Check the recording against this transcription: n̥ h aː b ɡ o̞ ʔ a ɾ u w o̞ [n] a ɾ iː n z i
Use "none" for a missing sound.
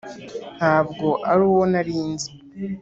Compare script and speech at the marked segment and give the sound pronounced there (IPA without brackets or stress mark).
n